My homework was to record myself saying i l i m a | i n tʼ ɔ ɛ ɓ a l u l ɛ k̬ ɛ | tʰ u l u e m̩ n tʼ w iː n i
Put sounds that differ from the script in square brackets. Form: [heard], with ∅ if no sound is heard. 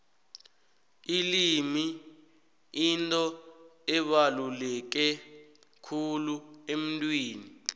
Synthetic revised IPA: i l i m [i] | i n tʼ ɔ ɛ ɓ a l u l ɛ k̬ ɛ | [kʰ] u l u e m̩ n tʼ w iː n i